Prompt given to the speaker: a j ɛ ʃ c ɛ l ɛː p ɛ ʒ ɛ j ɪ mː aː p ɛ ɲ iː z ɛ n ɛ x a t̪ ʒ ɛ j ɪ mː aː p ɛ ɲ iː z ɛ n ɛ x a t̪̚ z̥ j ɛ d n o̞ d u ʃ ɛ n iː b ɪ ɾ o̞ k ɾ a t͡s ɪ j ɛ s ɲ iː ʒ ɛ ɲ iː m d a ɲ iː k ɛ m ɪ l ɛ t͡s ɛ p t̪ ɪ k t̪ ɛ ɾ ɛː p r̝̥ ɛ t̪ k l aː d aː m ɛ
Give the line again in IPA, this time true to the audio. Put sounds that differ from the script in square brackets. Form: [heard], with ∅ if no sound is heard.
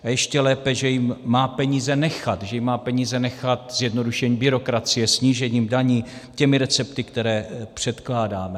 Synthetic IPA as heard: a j ɛ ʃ c ɛ l ɛː p ɛ ʒ ɛ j ɪ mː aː p ɛ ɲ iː z ɛ n ɛ x a t̪ ʒ ɛ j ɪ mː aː p ɛ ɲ iː z ɛ n ɛ x a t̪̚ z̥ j ɛ d n o̞ d u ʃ ɛ [ɲ] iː b ɪ ɾ o̞ k ɾ a t͡s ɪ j ɛ s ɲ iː ʒ ɛ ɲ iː m d a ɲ iː [c] ɛ m ɪ [ɾ] ɛ t͡s ɛ p t̪ ɪ k t̪ ɛ ɾ ɛː p r̝̥ ɛ t̪ k l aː d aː m ɛ